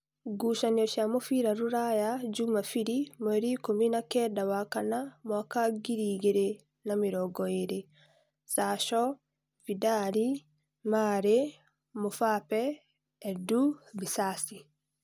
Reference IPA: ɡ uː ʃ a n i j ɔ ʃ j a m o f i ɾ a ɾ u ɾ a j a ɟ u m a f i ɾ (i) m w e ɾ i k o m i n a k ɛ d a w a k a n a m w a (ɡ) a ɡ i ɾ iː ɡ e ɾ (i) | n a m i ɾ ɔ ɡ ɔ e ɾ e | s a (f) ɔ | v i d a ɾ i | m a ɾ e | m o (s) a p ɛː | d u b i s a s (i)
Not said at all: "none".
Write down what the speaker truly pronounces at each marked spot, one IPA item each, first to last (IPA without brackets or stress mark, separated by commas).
i, k, e, ʃ, f, i